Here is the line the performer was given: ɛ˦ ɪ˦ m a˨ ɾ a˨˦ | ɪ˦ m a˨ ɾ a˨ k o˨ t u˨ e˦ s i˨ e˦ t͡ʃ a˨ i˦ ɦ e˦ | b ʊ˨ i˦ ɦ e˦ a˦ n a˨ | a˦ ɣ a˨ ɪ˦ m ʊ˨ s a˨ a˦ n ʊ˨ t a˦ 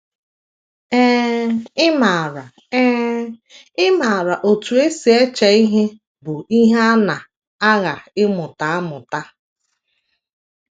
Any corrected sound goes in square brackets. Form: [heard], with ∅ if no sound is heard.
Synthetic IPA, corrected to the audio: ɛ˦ ɪ˦ m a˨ ɾ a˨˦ | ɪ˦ m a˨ ɾ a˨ [ʔ] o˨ t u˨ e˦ s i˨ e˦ t͡ʃ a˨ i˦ ɦ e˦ | b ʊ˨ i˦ ɦ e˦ a˦ n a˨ | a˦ ɣ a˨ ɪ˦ m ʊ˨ [t] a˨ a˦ [m] ʊ˨ t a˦